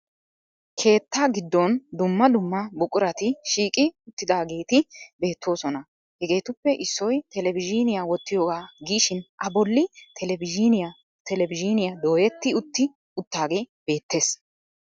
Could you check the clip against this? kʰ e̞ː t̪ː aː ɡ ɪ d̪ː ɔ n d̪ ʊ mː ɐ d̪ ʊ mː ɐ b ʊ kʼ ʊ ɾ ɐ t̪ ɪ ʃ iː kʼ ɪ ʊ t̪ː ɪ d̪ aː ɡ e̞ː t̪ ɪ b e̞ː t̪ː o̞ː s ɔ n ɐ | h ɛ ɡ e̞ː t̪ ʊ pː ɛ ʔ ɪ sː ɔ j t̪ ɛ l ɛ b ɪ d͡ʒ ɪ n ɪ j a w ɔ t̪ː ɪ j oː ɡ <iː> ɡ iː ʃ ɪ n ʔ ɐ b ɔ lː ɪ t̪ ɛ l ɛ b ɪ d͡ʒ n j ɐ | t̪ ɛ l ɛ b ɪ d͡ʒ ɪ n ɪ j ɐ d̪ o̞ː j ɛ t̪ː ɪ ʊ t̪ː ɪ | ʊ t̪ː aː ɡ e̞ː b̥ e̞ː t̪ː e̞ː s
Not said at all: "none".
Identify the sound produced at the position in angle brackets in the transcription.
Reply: aː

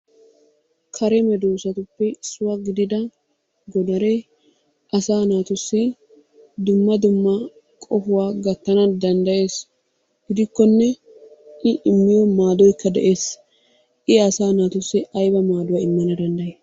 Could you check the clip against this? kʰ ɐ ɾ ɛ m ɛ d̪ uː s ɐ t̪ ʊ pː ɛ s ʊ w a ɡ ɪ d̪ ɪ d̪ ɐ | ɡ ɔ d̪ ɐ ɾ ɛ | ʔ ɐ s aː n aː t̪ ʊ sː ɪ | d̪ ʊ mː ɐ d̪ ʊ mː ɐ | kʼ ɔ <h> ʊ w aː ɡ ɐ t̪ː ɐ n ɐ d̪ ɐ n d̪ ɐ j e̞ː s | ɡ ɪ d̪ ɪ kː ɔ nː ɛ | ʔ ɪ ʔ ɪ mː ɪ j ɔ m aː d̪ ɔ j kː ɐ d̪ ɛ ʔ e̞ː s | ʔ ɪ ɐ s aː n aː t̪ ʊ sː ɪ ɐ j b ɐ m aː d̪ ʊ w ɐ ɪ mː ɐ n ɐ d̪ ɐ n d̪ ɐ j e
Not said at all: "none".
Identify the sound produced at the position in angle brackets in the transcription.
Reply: f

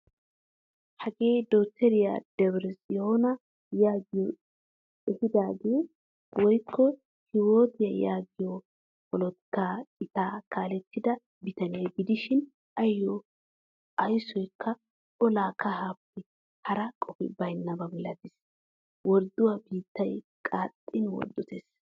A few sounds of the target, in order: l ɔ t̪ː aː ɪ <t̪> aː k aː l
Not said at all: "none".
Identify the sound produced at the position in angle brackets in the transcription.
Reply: t̪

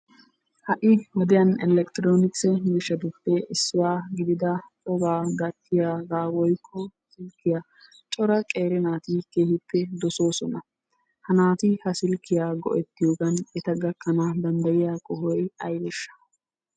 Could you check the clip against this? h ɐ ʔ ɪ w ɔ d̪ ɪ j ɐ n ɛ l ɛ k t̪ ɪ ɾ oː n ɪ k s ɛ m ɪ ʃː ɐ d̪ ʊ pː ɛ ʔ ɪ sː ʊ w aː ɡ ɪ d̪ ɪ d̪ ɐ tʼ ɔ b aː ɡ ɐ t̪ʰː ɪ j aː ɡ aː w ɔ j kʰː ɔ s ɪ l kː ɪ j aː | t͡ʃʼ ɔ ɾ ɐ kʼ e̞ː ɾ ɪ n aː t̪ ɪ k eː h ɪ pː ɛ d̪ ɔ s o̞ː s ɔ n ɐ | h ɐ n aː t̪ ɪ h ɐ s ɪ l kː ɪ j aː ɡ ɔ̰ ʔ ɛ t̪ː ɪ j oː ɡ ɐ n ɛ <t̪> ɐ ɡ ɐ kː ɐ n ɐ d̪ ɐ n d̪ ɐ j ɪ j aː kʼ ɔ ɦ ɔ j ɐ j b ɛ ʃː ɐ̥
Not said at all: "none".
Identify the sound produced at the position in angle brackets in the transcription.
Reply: t̪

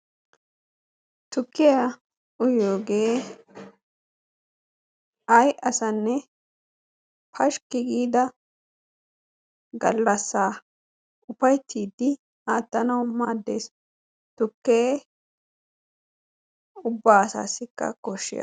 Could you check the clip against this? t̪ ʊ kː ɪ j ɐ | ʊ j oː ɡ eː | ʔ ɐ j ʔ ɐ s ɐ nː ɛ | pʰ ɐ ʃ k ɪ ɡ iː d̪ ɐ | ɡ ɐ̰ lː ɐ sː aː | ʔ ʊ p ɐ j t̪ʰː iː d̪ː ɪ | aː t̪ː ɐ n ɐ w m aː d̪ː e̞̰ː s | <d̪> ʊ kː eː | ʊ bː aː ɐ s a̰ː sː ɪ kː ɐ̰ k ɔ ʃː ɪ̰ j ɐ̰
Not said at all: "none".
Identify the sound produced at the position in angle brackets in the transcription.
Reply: t̪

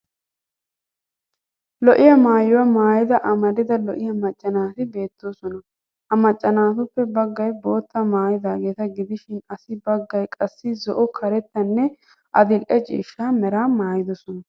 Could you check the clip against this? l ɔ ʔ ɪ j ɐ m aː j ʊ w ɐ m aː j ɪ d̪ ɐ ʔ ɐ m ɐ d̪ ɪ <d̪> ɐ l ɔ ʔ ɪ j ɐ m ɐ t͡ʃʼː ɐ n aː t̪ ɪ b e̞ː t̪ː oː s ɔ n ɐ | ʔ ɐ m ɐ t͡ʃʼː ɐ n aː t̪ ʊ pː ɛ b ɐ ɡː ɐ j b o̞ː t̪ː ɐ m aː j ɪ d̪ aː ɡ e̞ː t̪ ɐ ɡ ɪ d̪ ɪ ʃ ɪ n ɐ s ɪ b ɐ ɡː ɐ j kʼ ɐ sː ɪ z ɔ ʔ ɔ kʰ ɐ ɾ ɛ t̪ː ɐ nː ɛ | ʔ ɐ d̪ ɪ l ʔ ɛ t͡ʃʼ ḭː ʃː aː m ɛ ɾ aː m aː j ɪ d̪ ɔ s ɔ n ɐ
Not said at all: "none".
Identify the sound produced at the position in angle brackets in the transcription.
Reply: d̪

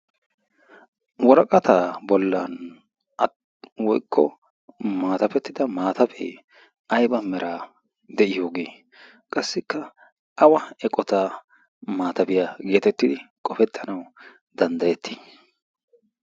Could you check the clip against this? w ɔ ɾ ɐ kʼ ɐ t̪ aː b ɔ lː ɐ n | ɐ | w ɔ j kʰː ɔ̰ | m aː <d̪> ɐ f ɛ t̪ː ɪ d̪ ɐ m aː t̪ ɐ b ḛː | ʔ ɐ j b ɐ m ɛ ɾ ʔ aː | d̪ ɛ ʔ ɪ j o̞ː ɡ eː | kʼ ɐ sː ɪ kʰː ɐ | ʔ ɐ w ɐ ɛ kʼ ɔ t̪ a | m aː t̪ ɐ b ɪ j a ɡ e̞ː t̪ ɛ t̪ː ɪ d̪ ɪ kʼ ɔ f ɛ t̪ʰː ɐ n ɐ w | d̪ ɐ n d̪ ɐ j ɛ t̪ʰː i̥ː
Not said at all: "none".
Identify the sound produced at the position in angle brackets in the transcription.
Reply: t̪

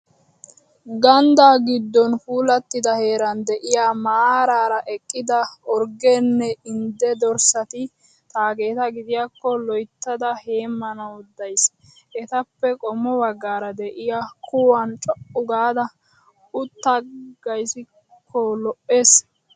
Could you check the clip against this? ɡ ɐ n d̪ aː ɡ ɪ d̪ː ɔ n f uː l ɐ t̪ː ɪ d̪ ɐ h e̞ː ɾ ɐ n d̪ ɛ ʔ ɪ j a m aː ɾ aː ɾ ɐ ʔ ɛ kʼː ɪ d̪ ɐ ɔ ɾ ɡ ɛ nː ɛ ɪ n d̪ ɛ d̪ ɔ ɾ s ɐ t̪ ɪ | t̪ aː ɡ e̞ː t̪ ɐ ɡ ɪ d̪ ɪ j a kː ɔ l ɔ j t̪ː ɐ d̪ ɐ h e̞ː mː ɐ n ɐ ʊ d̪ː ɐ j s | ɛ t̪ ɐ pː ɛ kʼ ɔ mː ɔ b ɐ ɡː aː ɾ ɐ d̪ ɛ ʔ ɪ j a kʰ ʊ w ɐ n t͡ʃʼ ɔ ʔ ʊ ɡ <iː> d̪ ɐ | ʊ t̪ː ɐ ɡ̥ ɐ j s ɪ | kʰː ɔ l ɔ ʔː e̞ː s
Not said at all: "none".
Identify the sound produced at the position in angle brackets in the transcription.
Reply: aː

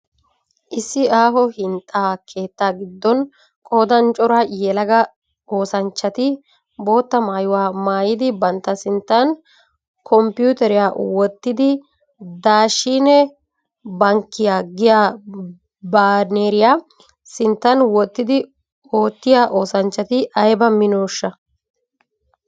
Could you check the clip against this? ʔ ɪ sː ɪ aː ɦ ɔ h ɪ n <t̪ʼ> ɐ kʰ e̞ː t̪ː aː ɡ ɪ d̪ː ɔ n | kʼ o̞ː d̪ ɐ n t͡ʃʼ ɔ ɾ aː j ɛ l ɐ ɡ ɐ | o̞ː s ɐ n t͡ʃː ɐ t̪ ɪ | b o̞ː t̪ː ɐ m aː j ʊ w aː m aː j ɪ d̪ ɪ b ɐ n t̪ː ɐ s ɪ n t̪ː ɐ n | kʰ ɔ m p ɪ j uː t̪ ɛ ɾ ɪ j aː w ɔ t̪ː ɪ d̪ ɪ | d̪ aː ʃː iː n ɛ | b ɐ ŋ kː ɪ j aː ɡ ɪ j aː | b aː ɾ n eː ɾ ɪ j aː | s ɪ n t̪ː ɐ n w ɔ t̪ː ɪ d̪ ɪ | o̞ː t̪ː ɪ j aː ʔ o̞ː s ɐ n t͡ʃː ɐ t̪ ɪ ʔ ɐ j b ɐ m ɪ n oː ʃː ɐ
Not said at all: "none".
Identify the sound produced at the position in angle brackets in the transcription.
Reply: t̪ʼ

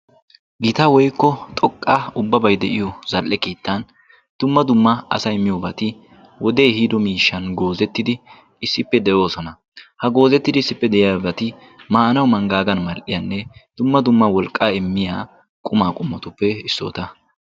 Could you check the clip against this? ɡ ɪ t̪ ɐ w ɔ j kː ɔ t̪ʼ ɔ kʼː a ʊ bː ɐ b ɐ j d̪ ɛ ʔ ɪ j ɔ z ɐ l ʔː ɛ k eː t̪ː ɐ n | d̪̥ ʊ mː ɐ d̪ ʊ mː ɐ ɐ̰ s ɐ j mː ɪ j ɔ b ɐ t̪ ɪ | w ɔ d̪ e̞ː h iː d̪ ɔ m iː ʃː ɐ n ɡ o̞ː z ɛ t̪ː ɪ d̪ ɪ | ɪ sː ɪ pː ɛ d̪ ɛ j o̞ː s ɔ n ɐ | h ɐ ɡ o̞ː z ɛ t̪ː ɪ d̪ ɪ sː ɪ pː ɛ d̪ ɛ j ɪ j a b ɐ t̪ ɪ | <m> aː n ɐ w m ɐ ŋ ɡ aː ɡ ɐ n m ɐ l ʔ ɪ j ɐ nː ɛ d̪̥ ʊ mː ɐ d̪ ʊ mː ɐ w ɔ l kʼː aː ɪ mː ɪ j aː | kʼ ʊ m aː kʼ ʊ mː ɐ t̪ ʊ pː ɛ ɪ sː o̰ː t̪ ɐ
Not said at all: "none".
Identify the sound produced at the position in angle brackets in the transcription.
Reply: m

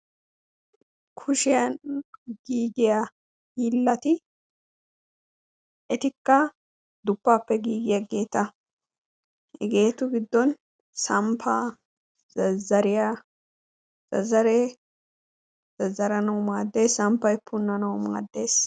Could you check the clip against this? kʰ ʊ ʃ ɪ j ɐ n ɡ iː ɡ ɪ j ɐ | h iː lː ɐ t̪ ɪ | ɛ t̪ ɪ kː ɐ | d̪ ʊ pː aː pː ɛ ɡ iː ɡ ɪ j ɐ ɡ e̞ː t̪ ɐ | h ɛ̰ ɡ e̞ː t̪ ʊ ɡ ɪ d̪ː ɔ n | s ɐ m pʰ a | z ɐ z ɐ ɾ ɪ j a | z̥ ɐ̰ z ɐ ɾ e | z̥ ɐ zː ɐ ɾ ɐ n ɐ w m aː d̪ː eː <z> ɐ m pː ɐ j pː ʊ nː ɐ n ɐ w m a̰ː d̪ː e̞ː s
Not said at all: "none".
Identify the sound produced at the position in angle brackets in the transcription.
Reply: s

